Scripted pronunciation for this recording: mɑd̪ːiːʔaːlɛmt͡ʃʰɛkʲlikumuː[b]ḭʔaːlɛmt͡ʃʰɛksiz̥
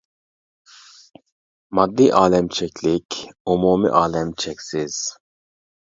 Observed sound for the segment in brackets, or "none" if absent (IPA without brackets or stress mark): m